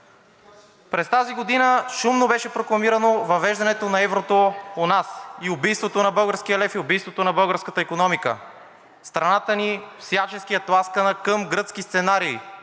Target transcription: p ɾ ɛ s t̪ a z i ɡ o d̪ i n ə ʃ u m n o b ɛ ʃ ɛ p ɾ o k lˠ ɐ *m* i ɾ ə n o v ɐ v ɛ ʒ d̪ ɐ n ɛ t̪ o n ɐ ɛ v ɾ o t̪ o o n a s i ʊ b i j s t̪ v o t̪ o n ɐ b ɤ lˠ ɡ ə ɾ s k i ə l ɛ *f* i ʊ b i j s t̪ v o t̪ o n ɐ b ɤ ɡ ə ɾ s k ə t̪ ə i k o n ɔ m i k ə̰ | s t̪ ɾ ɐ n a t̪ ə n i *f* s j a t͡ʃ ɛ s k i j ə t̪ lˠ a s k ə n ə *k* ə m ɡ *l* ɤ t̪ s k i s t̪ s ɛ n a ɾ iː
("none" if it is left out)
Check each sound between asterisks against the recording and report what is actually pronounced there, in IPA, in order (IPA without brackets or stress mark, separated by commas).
m, f, f, k, ɾ